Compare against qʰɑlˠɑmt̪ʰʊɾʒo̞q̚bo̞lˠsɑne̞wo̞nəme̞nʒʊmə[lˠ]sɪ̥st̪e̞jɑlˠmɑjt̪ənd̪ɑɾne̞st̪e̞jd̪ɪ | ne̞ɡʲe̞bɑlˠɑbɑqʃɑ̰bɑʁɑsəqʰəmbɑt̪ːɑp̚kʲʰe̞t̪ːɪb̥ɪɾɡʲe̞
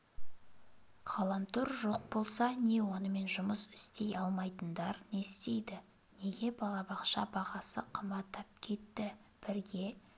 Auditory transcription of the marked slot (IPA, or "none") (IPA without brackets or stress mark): none